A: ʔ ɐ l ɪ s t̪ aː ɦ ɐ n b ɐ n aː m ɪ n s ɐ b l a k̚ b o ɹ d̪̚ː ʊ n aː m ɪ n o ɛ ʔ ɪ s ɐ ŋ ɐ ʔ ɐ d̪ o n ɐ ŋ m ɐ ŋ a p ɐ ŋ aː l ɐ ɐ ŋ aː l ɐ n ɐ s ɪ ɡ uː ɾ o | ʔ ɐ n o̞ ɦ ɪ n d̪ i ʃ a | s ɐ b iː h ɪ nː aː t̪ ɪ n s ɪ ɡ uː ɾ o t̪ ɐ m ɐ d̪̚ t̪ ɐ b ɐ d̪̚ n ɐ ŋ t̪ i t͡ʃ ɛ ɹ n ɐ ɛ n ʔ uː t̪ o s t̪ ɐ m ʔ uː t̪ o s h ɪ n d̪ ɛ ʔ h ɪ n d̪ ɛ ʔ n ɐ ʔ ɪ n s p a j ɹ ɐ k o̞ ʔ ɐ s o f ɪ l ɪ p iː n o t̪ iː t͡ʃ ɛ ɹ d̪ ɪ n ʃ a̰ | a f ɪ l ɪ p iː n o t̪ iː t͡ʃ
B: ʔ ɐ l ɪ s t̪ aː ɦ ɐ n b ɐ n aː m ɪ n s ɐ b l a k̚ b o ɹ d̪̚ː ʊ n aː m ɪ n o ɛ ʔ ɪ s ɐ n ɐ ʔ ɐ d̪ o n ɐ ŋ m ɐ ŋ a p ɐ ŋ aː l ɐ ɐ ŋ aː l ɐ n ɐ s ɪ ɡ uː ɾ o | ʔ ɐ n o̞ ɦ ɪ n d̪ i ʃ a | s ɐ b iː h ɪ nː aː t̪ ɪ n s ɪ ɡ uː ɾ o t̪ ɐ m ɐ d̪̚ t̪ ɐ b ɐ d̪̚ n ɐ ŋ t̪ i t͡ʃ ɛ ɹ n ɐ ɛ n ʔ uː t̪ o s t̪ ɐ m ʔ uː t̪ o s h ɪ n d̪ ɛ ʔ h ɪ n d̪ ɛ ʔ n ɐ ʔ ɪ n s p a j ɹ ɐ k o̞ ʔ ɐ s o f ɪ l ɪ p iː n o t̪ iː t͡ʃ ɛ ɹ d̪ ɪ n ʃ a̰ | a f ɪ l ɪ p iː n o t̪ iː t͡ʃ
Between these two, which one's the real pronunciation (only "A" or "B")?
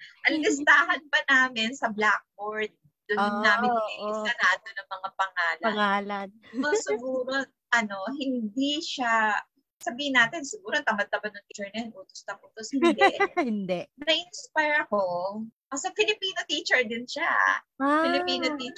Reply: B